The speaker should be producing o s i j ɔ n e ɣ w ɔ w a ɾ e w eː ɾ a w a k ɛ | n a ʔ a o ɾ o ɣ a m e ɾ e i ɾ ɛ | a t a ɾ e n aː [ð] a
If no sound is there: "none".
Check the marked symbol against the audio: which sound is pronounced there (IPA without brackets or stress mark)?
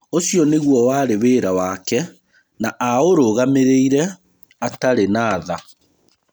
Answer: ð